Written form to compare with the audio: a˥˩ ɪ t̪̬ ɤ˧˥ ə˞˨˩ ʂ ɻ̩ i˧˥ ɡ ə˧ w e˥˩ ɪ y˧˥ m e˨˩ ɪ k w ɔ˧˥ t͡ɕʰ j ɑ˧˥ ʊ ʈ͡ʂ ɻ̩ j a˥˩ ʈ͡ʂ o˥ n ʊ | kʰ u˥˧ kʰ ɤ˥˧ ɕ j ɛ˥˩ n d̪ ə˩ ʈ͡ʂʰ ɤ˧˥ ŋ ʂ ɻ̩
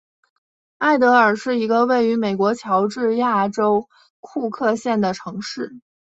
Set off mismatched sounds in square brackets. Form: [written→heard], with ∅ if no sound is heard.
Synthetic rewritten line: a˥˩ ɪ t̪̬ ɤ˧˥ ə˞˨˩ ʂ ɻ̩ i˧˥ ɡ ə˧ w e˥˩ ɪ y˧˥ m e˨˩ ɪ k w ɔ˧˥ t͡ɕʰ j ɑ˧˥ ʊ ʈ͡ʂ ɻ̩ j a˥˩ ʈ͡ʂ o˥ [n→∅] ʊ | kʰ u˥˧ kʰ ɤ˥˧ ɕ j ɛ˥˩ n d̪ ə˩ ʈ͡ʂʰ ɤ˧˥ ŋ ʂ ɻ̩